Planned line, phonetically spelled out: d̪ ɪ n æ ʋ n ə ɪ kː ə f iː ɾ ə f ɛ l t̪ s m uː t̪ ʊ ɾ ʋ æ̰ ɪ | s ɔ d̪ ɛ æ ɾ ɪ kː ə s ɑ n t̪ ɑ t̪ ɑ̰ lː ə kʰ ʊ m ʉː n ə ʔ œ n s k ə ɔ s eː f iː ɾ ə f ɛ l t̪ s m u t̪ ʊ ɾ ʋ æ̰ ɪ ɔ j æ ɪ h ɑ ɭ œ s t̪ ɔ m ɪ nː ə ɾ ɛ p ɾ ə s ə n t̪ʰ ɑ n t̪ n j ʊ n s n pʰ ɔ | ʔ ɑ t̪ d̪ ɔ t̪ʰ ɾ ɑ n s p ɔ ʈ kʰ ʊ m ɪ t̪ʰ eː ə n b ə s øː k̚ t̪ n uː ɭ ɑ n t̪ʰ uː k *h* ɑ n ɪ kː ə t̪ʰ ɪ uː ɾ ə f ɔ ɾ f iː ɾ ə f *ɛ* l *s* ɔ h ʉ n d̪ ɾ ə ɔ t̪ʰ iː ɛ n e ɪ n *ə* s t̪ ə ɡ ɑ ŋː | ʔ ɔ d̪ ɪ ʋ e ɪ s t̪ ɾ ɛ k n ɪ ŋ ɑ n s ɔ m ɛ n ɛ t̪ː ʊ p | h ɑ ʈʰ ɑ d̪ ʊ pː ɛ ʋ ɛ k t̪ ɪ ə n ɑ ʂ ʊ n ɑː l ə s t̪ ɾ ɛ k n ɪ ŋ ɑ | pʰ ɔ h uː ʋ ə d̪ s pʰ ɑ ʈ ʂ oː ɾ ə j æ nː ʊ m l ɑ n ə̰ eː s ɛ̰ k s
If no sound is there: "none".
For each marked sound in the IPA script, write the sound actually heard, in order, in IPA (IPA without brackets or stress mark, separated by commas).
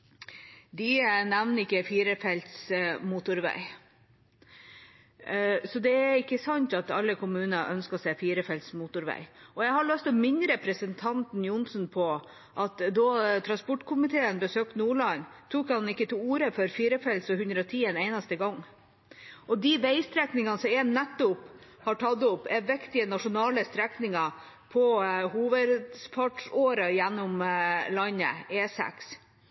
h, ɛ, s, ɑ